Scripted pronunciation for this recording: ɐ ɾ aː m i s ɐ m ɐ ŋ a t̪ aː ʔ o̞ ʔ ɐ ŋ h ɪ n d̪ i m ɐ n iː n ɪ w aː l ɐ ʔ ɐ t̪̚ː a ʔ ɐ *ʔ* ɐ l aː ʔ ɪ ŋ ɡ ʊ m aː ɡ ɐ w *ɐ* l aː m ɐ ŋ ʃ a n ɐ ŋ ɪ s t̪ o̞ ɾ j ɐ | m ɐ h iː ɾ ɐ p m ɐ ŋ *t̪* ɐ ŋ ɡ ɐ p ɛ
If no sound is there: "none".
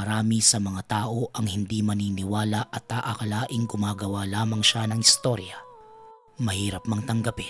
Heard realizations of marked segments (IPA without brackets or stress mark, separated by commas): k, a, t̪